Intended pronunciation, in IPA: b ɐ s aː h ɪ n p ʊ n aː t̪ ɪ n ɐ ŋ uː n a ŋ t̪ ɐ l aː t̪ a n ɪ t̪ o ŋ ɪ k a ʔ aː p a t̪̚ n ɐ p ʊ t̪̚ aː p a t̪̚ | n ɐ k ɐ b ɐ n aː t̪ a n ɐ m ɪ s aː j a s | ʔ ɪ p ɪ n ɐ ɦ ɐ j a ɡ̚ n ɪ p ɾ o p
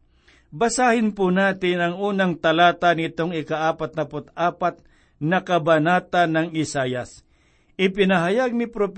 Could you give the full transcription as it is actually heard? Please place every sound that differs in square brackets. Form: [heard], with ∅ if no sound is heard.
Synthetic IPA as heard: b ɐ s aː h ɪ n p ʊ n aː t̪ ɪ n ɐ ŋ uː n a ŋ t̪ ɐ l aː t̪ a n ɪ t̪ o ŋ ɪ k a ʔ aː p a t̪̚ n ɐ p ʊ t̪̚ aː p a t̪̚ | n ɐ k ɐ b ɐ n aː t̪ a n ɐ [ŋ] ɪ s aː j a s | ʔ ɪ p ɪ n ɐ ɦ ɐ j a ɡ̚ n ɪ p ɾ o p